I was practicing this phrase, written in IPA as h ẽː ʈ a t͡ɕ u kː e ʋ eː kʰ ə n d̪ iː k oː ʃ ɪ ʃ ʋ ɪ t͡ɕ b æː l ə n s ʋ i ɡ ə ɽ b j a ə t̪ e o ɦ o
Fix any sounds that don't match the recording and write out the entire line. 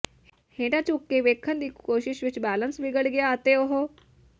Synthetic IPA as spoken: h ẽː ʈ a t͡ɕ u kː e ʋ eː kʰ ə n d̪ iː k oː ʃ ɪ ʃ ʋ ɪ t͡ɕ b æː l ə n s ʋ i ɡ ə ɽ ɡ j a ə t̪ e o ɦ o

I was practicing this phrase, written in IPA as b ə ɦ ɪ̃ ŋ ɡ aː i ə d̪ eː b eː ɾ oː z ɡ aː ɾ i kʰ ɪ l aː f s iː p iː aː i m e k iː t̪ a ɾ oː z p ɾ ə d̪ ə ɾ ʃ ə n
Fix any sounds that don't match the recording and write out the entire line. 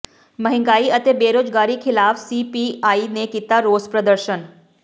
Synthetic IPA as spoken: m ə ɦ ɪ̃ ŋ ɡ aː i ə t̪ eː b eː ɾ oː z ɡ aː ɾ i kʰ ɪ l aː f s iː p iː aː i n e k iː t̪ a ɾ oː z p ɾ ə d̪ ə ɾ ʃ ə n

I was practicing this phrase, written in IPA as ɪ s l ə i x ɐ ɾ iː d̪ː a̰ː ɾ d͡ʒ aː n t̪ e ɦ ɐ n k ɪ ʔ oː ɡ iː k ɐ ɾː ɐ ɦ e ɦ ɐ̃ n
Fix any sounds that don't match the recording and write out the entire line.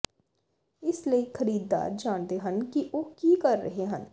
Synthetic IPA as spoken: ɪ s l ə i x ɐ ɾ iː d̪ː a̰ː ɾ d͡ʒ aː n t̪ e ɦ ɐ n k i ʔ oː k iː k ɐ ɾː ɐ ɦ e ɦ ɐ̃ n

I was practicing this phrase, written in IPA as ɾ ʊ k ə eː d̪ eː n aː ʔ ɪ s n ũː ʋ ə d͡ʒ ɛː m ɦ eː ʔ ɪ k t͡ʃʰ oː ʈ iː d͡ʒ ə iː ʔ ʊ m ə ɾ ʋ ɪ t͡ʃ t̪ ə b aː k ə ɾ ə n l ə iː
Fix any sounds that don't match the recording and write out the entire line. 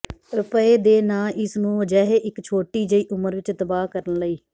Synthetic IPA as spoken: ɾ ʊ p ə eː d̪ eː n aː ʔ ɪ s n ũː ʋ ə d͡ʒ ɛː ɦ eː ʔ ɪ k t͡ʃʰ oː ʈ iː d͡ʒ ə iː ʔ ʊ m ə ɾ ʋ ɪ t͡ʃ t̪ ə b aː k ə ɾ ə n l ə iː

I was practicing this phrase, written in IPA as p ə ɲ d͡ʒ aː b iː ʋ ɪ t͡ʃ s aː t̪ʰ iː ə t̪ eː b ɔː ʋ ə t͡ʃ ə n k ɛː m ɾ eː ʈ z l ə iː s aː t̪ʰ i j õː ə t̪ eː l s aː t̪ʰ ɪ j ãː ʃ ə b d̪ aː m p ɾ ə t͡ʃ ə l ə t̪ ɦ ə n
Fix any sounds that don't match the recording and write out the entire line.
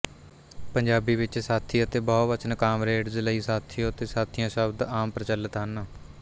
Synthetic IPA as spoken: p ə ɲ d͡ʒ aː b iː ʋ ɪ t͡ʃ s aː t̪ʰ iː ə t̪ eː b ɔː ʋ ə t͡ʃ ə n k aː m ɾ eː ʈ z l ə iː s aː t̪ʰ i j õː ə t̪ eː s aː t̪ʰ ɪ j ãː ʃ ə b d̪ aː m p ɾ ə t͡ʃ ə l ə t̪ ɦ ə n

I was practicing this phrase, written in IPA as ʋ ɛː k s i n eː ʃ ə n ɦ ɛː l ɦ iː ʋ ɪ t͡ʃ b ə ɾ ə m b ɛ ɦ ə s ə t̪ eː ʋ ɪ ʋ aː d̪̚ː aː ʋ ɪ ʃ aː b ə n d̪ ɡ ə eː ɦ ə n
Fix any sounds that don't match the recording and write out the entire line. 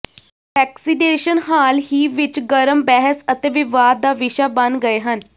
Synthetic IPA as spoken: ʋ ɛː k s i n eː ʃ ə n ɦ aː l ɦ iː ʋ ɪ t͡ʃ ɡ ə ɾ ə m b ɛ ɦ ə s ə t̪ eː ʋ ɪ ʋ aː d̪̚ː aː ʋ ɪ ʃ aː b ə n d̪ ɡ ə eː ɦ ə n

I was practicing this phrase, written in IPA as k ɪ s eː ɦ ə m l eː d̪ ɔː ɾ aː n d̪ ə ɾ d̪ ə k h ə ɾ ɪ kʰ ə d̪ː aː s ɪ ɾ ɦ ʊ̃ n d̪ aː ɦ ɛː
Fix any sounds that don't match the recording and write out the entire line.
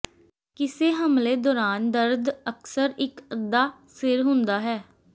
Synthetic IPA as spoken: k ɪ s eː ɦ ə m l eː d̪ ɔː ɾ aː n d̪ ə ɾ d̪ ə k s ə ɾ ɪ k ə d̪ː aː s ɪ ɾ ɦ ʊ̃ n d̪ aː ɦ ɛː

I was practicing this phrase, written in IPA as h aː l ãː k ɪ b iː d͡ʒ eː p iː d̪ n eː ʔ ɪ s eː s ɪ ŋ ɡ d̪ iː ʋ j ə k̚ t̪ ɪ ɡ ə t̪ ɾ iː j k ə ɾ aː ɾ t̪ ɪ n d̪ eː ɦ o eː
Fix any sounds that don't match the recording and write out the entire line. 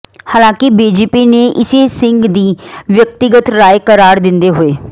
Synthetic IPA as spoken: h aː l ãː k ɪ b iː d͡ʒ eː p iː n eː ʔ ɪ s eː s ɪ ŋ ɡ d̪ iː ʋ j ə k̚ t̪ ɪ ɡ ə t̪ ɾ aː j k ə ɾ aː ɾ d̪ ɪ n d̪ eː ɦ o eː

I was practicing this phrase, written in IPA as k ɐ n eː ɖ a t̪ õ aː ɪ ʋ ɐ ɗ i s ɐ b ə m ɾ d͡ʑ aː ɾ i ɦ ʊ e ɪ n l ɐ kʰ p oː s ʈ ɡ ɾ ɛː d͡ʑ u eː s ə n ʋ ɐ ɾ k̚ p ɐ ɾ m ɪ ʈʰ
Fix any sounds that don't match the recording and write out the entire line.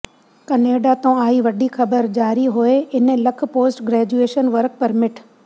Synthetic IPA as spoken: k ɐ n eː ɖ a t̪ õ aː i ʋ ɐ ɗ i x ɐ b ə ɾ d͡ʑ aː ɾ i ɦ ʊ e ɪ n l ɐ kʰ p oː s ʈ ɡ ɾ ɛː d͡ʑ u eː ʃ ə n ʋ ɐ ɾ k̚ p ɐ ɾ m ɪ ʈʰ

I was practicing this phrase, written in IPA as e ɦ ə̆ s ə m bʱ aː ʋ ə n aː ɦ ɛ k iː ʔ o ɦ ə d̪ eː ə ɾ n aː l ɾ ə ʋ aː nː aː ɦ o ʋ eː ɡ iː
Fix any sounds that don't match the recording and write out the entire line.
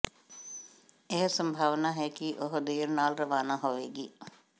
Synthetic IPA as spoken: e ɦ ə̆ s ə m bʱ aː ʋ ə n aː ɦ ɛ k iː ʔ o ɦ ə d̪ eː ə ɾ n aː l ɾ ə ʋ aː n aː ɦ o ʋ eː ɡ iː

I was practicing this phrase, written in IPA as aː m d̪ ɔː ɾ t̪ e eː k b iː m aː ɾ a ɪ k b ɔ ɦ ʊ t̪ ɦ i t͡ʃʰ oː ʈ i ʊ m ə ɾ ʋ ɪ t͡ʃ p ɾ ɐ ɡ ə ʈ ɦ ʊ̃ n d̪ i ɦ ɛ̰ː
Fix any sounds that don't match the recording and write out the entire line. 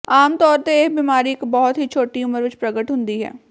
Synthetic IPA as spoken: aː m t̪ ɔː ɾ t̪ e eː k b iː m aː ɾ i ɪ k b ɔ ɦ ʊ t̪ ɦ i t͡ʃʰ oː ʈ i ʊ m ə ɾ ʋ ɪ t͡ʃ p ɾ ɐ ɡ ə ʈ ɦ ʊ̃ n d̪ i ɦ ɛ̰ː

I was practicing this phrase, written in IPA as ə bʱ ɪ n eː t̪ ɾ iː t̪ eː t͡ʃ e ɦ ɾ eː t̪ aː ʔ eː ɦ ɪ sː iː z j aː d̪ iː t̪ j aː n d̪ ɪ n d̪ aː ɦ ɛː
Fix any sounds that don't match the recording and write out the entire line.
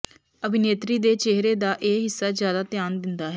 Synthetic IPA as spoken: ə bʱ ɪ n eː t̪ ɾ iː d̪ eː t͡ʃ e ɦ ɾ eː d̪ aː ʔ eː ɦ ɪ sː aː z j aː d̪ aː t̪ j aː n d̪ ɪ n d̪ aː ɦ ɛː

